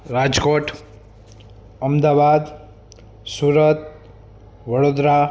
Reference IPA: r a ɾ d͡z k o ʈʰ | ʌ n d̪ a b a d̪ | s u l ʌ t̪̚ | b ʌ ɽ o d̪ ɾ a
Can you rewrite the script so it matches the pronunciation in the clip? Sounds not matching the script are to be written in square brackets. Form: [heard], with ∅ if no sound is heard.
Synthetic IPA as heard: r a [∅] d͡z k o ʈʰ | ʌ [m] d̪ a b a d̪ | s u [ɾ] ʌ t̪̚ | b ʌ ɽ o d̪ ɾ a